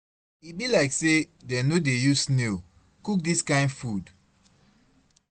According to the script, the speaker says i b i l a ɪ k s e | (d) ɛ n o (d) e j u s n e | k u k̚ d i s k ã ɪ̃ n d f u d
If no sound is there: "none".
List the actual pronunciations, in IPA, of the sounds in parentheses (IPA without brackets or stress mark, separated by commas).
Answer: d, d